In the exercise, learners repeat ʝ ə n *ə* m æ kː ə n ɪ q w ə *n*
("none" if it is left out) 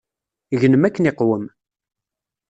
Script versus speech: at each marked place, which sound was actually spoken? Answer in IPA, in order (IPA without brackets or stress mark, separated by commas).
ə, m